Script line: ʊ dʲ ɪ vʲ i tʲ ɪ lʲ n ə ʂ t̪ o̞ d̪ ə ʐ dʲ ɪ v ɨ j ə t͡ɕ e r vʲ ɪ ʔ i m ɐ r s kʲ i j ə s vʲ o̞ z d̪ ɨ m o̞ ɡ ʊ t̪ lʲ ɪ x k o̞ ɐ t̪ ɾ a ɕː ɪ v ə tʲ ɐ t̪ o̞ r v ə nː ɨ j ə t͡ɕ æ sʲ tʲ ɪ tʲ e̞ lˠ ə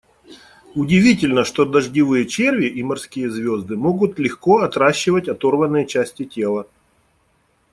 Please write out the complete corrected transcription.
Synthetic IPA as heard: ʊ dʲ ɪ vʲ i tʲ ɪ lʲ n ə ʂ t̪ o̞ d̪ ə ʐ dʲ ɪ v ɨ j ə t͡ɕ e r vʲ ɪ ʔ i m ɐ r s kʲ i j ə z vʲ o̞ z d̪ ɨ m o̞ ɡ ʊ t̪ lʲ ɪ x k o̞ ɐ t̪ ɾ a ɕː ɪ v ə tʲ ɐ t̪ o̞ r v ə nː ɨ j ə t͡ɕ æ sʲ tʲ ɪ tʲ e̞ lˠ ə